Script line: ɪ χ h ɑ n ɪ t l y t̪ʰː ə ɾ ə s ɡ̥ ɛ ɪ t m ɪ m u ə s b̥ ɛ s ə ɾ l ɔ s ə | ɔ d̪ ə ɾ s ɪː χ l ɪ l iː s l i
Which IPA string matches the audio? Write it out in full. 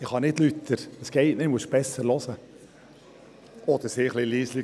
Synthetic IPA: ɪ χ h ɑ n ɪ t l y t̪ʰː ə ɾ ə s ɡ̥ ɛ ɪ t n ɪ m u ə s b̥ ɛ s ə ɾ l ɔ s ə | ɔ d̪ ə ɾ s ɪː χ l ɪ l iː s l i